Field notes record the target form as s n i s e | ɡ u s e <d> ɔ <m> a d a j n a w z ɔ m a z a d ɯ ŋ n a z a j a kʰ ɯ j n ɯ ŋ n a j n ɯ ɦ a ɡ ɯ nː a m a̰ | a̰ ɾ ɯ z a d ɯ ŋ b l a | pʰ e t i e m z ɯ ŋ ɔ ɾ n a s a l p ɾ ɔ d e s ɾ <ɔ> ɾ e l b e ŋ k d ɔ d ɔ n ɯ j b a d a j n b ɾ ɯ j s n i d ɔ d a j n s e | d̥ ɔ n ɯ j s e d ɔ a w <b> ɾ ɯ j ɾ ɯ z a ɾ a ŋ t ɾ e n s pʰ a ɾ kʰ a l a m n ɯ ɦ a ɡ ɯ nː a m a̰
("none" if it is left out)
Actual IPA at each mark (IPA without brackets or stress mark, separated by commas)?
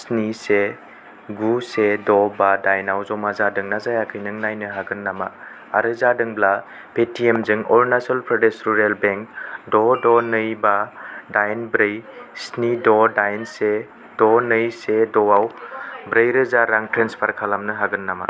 d, b, u, b